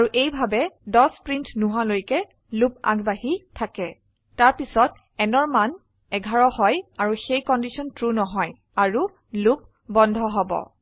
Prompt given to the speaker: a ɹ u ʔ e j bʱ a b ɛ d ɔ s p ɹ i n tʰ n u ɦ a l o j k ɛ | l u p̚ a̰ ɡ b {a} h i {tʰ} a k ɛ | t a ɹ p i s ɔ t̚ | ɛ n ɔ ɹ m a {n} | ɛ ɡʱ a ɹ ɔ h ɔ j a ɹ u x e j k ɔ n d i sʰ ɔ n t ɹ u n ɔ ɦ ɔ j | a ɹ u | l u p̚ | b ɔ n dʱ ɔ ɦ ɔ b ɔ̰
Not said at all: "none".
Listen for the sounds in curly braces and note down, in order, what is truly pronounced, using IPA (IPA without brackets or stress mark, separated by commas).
a, tʰ, n